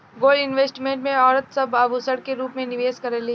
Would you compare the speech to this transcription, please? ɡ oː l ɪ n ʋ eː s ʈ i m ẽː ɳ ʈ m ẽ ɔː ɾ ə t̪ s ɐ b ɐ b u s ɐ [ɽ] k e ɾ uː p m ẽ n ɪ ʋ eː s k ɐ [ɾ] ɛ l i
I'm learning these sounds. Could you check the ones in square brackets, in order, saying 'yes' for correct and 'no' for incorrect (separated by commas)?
yes, yes